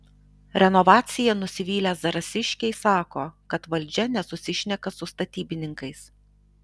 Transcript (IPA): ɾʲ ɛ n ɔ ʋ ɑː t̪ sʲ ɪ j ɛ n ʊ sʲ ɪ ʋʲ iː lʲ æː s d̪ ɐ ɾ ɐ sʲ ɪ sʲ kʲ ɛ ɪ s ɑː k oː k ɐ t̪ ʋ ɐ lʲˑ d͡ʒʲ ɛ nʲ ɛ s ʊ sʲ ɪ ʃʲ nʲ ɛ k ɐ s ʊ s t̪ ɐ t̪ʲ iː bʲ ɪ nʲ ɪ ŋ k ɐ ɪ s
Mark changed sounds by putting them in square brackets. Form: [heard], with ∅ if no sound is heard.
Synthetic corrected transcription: ɾʲ ɛ n ɔ ʋ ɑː t̪ sʲ ɪ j ɛ n ʊ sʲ ɪ ʋʲ iː lʲ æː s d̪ ɐ ɾ ɐ sʲ ɪ [ʃʲ] kʲ ɛ ɪ s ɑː k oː k ɐ t̪ ʋ ɐ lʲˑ d͡ʒʲ ɛ nʲ ɛ s ʊ sʲ ɪ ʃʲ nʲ ɛ k ɐ s ʊ s t̪ ɐ t̪ʲ iː bʲ ɪ nʲ ɪ ŋ k ɐ ɪ s